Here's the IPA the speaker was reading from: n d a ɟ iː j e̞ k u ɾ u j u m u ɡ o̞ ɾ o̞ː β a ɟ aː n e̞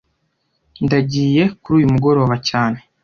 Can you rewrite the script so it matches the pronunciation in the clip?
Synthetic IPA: n d a ɟ iː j e̞ k u ɾ uː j u m u ɡ o̞ ɾ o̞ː β a c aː n e̞